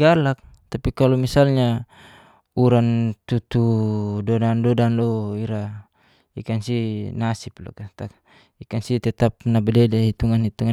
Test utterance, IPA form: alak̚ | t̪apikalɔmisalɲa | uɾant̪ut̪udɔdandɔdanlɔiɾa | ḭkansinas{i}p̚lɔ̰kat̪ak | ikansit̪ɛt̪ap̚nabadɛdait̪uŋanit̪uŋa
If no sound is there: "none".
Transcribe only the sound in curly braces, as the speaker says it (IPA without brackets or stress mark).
i